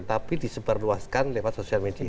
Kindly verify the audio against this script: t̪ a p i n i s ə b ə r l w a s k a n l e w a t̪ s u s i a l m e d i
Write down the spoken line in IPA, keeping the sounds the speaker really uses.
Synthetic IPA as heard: t̪ a p i d i s ə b ə r l u a s k a n l e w a t̪ s o s i a l m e d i